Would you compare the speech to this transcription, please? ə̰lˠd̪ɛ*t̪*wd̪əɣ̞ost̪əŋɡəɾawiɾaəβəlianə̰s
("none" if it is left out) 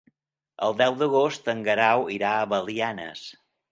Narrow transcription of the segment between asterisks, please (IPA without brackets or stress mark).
none